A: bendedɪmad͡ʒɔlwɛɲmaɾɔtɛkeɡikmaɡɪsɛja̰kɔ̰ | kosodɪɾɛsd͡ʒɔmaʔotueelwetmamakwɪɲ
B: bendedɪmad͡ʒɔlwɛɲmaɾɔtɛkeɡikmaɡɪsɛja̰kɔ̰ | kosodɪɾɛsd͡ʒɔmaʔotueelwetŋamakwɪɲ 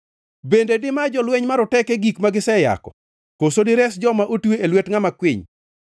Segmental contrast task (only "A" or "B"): B